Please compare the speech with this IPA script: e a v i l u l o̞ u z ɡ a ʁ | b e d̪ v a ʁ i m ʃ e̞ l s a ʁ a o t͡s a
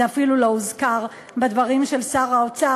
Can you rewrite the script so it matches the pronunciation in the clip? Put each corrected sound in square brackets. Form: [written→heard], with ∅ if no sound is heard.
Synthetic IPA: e a [v→f] i l u l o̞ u z [ɡ→k] a ʁ | b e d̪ v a ʁ i m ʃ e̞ l s a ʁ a o t͡s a